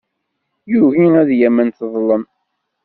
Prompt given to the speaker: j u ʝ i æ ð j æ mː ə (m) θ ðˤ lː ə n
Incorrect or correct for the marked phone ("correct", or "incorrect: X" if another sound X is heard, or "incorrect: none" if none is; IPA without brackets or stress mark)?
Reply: incorrect: n